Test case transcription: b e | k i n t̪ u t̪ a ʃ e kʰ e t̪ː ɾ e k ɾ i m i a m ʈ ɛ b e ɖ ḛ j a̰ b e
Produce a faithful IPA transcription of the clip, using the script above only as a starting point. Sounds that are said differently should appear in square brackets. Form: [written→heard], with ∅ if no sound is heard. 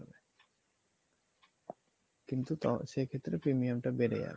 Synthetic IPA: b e | k i n t̪ u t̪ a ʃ e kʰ e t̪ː ɾ e [k→p] ɾ i m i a m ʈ [ɛ→a] b e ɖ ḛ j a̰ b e